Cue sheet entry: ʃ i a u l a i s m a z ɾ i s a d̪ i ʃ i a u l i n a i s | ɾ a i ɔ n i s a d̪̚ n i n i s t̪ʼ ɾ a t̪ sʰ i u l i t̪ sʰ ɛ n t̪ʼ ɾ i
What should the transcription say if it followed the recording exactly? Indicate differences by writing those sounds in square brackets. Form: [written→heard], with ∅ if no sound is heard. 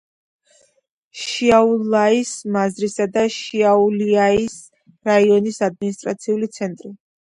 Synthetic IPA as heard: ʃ i a u l a i s m a z ɾ i s a d̪ [i→a] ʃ i a u l i [n→∅] a i s | ɾ a i ɔ n i s a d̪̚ [n→m] i n i s t̪ʼ ɾ a t̪ sʰ i u l i t̪ sʰ ɛ n t̪ʼ ɾ i

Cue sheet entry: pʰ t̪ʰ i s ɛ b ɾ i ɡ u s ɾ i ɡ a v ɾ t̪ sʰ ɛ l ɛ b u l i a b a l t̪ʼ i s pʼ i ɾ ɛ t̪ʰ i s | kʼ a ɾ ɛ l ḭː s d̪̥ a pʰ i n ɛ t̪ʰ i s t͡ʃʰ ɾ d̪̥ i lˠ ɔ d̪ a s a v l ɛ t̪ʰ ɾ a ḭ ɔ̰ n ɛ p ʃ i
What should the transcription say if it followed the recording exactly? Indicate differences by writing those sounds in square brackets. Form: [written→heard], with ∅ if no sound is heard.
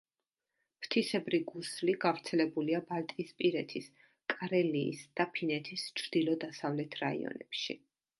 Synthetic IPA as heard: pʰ t̪ʰ i s ɛ b ɾ i ɡ u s [ɾ→l] i ɡ a v ɾ t̪ sʰ ɛ l ɛ b u l i a b a l t̪ʼ i s pʼ i ɾ ɛ t̪ʰ i s | kʼ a ɾ ɛ l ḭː s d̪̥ a pʰ i n ɛ t̪ʰ i s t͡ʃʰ ɾ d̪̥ i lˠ ɔ d̪ a s a v l ɛ t̪ʰ ɾ a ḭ ɔ̰ n ɛ p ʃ i

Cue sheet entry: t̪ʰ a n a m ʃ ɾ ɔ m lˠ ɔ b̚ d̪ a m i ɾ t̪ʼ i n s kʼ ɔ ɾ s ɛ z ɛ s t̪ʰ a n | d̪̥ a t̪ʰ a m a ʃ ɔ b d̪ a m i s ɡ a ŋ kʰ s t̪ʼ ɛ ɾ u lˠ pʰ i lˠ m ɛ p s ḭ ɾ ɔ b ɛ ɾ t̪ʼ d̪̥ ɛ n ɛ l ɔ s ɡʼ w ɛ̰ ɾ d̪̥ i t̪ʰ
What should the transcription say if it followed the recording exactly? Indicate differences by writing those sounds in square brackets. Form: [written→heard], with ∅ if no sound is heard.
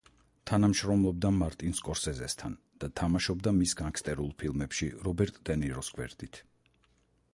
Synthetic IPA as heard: t̪ʰ a n a m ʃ ɾ ɔ m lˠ ɔ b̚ d̪ a m [i→a] ɾ t̪ʼ i n s kʼ ɔ ɾ s ɛ z ɛ s t̪ʰ a n | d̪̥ a t̪ʰ a m a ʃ ɔ b d̪ a m i s ɡ a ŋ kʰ s t̪ʼ ɛ ɾ u lˠ pʰ i lˠ m ɛ p [s→ʃ] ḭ ɾ ɔ b ɛ ɾ t̪ʼ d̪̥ ɛ n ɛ [l→ɾ] ɔ s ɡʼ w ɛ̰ ɾ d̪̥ i t̪ʰ

